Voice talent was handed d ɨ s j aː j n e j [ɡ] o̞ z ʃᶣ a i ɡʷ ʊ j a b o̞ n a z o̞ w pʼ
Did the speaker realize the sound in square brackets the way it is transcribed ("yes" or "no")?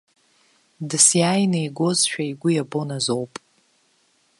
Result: yes